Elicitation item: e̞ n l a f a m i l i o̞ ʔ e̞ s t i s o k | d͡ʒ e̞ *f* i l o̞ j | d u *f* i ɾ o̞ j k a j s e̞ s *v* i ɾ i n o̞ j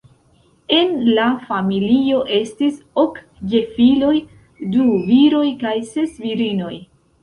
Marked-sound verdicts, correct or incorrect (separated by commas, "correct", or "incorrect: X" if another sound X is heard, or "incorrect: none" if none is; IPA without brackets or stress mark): correct, incorrect: v, correct